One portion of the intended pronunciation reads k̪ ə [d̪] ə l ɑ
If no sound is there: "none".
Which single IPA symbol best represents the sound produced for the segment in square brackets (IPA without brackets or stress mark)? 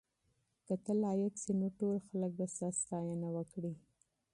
t̪